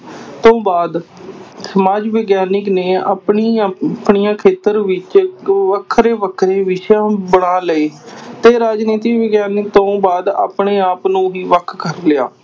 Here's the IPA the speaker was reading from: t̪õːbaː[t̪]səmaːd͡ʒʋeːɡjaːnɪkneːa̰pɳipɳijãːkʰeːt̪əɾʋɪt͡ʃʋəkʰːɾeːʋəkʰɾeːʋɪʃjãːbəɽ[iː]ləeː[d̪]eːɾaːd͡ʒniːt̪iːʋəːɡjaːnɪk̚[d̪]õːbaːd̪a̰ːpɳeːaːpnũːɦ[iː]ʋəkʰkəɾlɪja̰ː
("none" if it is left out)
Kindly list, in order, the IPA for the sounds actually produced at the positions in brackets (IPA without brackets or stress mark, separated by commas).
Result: d̪, aː, t̪, t̪, iː